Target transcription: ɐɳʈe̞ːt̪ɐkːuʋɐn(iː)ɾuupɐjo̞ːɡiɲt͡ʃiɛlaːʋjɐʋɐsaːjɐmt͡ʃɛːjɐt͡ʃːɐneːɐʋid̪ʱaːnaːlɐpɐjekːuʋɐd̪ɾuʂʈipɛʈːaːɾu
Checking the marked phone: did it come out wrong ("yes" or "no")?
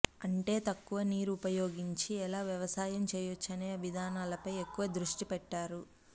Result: no